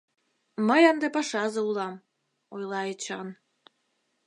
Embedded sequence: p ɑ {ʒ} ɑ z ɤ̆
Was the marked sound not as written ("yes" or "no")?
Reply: yes